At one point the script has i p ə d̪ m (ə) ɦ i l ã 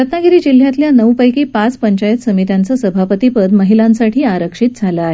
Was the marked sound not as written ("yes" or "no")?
no